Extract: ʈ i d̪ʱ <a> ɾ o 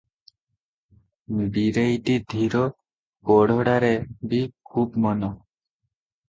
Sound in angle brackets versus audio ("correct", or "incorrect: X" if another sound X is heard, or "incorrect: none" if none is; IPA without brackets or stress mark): incorrect: i